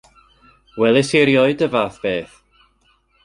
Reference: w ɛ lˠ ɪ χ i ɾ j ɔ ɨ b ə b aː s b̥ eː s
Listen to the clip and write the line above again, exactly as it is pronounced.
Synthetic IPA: w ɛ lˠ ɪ s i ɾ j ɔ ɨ d ə v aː θ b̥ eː θ

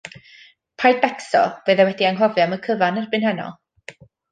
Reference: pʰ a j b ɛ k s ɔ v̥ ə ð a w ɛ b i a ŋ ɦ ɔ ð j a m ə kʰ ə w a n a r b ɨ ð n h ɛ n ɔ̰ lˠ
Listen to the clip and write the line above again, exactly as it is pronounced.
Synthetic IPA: pʰ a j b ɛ k s ɔ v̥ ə ð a w ɛ d i a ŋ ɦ ɔ v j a m ə kʰ ə v a n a r b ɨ n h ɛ n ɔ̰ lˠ

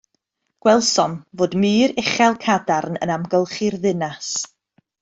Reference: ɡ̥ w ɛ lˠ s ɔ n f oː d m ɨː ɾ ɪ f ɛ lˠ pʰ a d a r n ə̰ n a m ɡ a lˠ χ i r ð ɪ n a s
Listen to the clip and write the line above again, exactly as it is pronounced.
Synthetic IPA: ɡ̥ w ɛ lˠ s ɔ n v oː d m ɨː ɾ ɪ χ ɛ lˠ kʰ a d a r n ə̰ n a m ɡ ə lˠ χ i r ð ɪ n a s

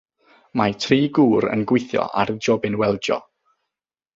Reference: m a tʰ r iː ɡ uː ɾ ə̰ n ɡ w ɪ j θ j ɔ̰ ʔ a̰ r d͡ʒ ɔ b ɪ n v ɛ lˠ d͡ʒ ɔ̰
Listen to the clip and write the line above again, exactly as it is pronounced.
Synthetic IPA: m a tʰ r iː ɡ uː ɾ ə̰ n ɡ w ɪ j θ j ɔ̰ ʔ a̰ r d͡ʒ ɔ b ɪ n w ɛ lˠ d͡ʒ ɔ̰

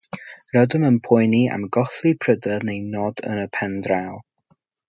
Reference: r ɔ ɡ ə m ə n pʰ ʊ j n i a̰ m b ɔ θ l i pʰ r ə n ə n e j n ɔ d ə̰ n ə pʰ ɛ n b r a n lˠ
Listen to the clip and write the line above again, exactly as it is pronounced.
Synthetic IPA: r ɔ d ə m ə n pʰ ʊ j n i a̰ m ɡ ɔ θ l i pʰ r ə d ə n e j n ɔ d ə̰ n ə pʰ ɛ n d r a lˠ

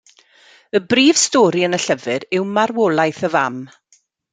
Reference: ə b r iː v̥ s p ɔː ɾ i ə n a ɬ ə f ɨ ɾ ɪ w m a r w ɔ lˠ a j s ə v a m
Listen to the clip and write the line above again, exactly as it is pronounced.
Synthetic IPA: ə b r iː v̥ s t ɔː ɾ i ə n ə ɬ ə v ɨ ɾ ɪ w m a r w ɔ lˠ a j θ ə v a m

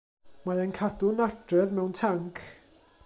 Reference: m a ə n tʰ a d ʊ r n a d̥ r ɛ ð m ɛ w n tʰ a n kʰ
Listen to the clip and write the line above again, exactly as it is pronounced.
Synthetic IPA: m a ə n kʰ a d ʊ n a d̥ r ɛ ð m ɛ w n tʰ a ŋ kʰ

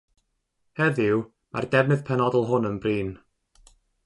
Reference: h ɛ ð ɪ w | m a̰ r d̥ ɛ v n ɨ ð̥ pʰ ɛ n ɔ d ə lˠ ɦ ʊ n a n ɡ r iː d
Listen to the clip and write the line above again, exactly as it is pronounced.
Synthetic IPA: h ɛ ð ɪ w | m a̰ r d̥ ɛ v n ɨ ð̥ pʰ ɛ n ɔ d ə lˠ ɦ ʊ n ə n b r iː n

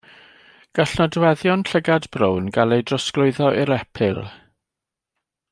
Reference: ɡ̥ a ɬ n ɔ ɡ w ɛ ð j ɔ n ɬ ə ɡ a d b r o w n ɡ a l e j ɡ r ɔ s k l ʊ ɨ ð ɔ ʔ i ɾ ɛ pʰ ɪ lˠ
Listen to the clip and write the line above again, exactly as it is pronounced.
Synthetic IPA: ɡ̥ a ɬ n ɔ d w ɛ ð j ɔ n ɬ ə ɡ a d b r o w n ɡ a l e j d r ɔ s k l ʊ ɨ ð ɔ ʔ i ɾ ɛ pʰ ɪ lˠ

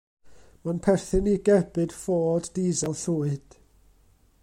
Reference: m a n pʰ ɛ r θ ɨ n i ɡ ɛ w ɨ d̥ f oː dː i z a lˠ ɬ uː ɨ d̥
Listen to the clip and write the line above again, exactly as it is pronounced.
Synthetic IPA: m a n pʰ ɛ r θ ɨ n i ɡ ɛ b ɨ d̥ f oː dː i z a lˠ ɬ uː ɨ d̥

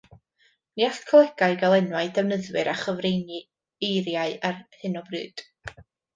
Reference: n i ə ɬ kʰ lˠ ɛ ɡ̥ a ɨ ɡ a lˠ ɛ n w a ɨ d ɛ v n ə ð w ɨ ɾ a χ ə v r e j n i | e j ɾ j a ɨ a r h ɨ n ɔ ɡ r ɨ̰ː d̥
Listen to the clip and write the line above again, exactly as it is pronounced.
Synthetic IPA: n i a ɬ kʰ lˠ ɛ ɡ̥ a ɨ ɡ a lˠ ɛ n w a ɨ d ɛ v n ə ð w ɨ ɾ a χ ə v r e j n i | e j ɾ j a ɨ a r h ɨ n ɔ b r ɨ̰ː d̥

